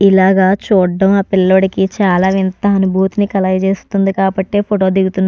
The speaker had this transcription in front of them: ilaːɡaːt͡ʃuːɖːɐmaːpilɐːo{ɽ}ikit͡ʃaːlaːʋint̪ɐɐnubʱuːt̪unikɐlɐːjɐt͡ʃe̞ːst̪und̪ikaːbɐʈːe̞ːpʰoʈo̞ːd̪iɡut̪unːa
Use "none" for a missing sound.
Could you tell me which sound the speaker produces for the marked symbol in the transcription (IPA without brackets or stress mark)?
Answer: ɽ